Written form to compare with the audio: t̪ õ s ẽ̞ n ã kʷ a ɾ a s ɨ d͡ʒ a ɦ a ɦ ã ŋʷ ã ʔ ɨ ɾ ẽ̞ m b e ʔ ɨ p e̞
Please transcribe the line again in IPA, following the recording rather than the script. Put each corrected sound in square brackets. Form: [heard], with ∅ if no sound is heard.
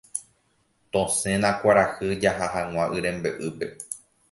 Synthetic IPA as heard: t̪ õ s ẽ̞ n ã kʷ a ɾ a [h] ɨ d͡ʒ a ɦ a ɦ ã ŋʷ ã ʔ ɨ ɾ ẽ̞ m b e ʔ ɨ p e̞